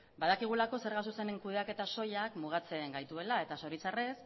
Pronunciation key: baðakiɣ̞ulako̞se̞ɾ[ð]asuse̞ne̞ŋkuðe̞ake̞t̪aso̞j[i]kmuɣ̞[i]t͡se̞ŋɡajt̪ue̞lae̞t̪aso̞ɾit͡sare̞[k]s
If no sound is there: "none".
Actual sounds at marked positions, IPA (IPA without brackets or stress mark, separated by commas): ɣ, a, a, none